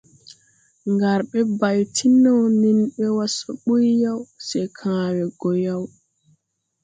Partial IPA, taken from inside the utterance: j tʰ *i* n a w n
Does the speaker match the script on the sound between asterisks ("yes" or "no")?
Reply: yes